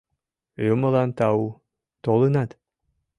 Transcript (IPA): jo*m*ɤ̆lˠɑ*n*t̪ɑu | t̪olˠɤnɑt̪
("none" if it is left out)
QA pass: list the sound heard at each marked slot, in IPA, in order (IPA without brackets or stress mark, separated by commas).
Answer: m, n